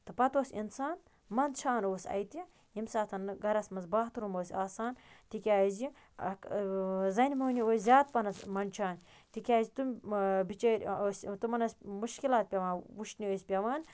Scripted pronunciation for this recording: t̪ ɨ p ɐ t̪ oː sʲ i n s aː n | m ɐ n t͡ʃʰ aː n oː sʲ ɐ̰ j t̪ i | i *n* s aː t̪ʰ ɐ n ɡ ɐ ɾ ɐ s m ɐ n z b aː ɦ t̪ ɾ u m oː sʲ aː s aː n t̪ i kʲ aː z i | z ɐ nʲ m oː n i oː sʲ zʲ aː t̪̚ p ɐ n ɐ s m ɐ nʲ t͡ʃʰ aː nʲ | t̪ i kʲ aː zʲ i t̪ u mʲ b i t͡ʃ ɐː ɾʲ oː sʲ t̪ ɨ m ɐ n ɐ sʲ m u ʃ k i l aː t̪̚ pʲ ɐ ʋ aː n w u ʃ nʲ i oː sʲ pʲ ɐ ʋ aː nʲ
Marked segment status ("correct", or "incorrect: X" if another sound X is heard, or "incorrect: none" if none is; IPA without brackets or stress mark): incorrect: m